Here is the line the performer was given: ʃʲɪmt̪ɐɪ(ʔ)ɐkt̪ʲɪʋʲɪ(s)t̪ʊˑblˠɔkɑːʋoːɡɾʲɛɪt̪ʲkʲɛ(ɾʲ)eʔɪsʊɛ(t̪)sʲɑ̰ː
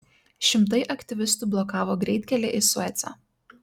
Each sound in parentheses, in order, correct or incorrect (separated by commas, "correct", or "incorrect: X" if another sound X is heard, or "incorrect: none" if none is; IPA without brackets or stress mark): correct, correct, incorrect: lʲ, correct